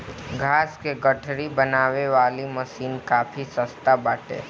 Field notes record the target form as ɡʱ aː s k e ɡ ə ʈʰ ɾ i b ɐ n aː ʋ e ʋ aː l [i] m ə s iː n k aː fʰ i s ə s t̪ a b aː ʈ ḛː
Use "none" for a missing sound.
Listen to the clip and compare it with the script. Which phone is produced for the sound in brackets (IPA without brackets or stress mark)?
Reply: i